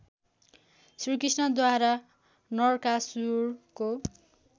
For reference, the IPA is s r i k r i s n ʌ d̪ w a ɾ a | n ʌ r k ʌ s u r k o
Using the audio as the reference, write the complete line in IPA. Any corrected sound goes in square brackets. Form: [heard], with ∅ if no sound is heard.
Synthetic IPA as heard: s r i k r i s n ʌ d̪ w a ɾ a | n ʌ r k [a] s u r k o